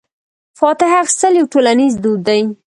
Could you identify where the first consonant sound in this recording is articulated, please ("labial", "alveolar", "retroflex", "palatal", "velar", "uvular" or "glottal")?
labial